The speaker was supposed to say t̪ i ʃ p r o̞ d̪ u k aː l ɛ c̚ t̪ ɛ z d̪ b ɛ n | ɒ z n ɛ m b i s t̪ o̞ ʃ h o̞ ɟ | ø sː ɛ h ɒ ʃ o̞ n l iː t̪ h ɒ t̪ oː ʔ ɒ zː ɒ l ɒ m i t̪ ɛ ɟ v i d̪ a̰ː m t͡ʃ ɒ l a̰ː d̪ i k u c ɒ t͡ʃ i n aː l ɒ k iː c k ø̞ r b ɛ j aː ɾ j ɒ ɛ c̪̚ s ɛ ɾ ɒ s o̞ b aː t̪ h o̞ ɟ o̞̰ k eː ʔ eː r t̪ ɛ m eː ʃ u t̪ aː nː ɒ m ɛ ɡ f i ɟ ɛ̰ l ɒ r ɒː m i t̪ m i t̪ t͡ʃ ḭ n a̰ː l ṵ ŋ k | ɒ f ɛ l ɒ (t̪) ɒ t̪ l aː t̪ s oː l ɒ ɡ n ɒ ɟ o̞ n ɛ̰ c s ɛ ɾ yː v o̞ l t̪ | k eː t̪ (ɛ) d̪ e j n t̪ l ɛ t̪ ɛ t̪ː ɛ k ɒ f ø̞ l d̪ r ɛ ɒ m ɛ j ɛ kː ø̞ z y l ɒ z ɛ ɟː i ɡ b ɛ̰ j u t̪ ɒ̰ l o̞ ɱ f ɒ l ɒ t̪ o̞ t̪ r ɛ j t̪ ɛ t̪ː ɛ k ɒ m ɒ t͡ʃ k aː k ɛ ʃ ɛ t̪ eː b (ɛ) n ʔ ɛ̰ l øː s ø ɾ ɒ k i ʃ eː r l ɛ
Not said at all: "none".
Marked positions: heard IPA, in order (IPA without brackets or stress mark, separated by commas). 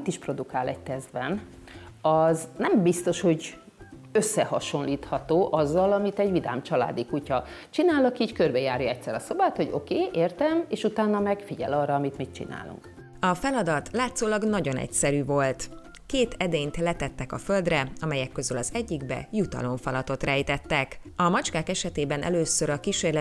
d̪, ɛ, ɛ